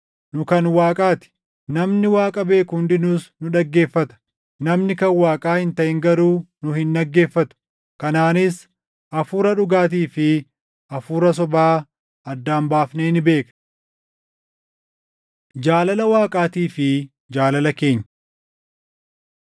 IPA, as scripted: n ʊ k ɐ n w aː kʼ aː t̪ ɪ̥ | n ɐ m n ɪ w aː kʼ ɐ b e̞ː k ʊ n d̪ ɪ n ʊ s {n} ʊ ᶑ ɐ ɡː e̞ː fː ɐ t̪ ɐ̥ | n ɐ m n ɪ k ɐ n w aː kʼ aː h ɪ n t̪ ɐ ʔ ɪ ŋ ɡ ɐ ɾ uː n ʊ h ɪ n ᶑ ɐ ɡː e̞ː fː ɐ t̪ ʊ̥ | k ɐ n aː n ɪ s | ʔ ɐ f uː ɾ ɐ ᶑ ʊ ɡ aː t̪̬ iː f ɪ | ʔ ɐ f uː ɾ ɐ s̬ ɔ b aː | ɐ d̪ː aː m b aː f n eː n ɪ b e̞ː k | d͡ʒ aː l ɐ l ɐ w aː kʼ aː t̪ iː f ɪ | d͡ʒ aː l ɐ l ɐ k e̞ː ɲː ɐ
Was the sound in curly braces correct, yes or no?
yes